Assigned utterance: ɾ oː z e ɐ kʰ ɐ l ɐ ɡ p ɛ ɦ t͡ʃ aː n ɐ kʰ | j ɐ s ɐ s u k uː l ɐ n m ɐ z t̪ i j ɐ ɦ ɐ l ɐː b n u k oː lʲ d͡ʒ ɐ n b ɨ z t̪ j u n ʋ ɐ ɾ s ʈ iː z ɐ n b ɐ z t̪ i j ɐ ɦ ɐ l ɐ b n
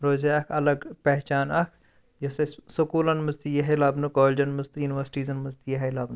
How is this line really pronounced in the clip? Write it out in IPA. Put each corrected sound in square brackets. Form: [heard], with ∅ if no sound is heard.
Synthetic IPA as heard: ɾ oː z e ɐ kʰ ɐ l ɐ ɡ p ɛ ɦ t͡ʃ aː n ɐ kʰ | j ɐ s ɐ s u k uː l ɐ n m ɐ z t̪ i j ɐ ɦ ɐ l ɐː b n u k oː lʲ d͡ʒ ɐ n [m] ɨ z t̪ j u n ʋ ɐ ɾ s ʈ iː z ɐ n [m] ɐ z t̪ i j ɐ ɦ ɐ l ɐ b n